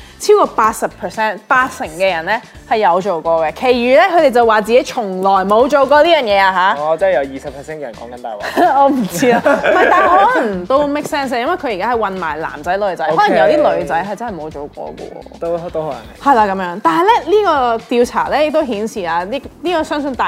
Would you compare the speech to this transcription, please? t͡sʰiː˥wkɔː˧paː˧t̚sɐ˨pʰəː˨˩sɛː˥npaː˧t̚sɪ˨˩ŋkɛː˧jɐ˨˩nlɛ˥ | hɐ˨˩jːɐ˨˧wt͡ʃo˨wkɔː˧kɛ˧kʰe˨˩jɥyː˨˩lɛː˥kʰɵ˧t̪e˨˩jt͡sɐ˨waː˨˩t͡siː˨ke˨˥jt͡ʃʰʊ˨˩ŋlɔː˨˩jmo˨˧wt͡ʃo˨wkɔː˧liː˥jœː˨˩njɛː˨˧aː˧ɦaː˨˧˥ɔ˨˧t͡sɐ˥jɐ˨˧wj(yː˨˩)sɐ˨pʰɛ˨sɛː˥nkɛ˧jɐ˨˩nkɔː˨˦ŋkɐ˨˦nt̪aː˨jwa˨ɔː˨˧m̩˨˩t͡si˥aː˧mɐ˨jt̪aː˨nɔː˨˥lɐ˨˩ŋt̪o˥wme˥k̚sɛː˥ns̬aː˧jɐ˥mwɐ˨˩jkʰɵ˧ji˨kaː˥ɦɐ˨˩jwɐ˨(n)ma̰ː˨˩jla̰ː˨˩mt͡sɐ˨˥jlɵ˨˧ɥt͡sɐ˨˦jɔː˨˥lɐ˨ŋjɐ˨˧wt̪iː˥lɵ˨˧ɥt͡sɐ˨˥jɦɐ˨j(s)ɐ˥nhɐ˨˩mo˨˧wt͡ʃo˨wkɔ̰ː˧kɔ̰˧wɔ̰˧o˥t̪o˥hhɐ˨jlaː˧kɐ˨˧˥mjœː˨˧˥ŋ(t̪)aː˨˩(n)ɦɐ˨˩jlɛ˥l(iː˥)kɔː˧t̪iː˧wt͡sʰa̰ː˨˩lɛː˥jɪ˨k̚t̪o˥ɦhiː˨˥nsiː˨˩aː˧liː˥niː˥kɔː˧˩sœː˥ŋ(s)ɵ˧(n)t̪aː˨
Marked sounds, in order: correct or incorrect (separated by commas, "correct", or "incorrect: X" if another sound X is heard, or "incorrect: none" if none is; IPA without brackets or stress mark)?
incorrect: iː˨˩, correct, incorrect: t͡s, correct, correct, correct, correct, correct